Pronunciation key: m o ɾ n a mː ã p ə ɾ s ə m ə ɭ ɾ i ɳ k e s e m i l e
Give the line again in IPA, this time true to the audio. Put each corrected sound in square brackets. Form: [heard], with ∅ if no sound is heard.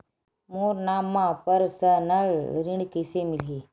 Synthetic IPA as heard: m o ɾ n a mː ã p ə ɾ s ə [n] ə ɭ ɾ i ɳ k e s e m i l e